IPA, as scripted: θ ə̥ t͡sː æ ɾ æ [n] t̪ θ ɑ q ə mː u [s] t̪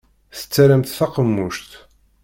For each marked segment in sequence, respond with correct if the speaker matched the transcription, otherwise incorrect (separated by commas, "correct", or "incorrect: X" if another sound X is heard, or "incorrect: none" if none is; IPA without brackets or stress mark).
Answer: incorrect: m, incorrect: ʃ